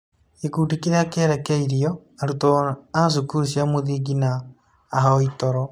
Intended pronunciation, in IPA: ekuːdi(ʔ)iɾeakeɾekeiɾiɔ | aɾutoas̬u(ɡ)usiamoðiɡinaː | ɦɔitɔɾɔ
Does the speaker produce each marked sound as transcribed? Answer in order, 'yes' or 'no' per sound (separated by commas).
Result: no, no